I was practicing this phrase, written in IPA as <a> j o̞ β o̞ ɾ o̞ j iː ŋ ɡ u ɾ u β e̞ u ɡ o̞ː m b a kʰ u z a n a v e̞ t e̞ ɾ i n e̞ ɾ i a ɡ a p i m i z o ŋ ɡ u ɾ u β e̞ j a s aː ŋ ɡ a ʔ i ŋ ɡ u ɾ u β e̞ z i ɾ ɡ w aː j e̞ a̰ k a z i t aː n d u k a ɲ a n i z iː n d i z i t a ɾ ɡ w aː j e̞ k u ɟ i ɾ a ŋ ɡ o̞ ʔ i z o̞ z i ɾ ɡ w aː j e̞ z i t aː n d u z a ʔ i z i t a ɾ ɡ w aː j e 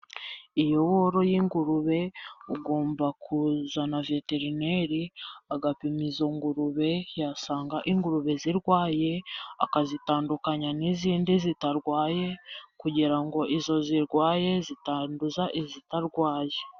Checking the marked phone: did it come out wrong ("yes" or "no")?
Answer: yes